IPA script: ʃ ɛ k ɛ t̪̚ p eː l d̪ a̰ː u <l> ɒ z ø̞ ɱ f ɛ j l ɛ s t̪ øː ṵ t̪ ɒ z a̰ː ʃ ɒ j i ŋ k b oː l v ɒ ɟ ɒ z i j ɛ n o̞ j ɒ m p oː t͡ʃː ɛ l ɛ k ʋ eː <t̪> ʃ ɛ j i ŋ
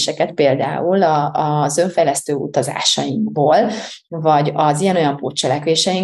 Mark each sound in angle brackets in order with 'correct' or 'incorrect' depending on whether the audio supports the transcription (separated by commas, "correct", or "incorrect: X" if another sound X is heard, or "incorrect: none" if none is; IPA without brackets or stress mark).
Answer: correct, incorrect: none